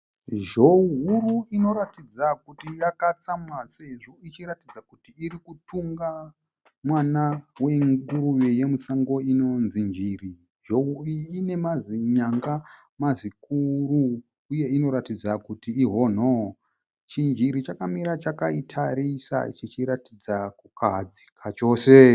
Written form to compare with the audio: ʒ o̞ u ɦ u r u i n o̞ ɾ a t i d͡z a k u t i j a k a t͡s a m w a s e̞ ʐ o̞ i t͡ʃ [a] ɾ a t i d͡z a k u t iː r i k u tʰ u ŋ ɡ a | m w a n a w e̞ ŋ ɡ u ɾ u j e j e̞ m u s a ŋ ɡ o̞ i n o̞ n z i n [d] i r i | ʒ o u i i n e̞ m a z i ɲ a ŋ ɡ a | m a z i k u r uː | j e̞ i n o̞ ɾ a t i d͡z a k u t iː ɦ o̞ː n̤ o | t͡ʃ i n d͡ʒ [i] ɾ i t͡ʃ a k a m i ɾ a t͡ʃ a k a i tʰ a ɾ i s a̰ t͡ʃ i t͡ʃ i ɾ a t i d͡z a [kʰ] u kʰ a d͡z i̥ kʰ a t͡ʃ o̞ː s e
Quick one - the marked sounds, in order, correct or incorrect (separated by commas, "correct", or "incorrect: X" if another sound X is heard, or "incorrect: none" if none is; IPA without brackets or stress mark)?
incorrect: i, incorrect: d͡ʒ, correct, incorrect: k